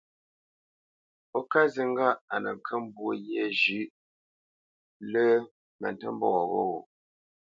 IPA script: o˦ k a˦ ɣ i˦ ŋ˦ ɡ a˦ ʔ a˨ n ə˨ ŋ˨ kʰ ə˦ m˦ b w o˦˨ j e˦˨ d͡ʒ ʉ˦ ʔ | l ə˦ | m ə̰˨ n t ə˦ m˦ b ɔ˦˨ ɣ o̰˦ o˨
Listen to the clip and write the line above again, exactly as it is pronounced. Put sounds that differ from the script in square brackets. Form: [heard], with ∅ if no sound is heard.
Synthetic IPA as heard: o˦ k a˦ [z] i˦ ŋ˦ ɡ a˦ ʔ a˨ n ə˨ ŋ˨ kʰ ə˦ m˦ b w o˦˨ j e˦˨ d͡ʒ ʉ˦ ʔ | l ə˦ | m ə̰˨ n t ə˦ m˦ b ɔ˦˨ ɣ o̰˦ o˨